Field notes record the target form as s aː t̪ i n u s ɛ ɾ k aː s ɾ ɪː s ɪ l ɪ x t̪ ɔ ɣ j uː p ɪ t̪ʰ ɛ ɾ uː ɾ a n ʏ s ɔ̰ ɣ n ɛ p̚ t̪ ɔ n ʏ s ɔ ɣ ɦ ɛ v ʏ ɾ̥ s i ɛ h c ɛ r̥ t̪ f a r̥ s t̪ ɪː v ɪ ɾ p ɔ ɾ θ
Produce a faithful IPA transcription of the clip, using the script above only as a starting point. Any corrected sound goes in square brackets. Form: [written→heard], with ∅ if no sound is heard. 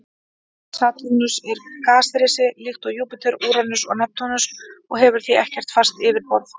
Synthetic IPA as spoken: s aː t̪ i n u s ɛ ɾ k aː s ɾ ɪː s ɪ l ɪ x t̪ ɔ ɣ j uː p ɪ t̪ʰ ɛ ɾ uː ɾ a n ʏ s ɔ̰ ɣ n ɛ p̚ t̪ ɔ n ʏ s ɔ ɣ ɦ ɛ v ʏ ɾ̥ [s→θ] i ɛ h c ɛ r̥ t̪ f a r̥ s t̪ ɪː v ɪ ɾ p ɔ ɾ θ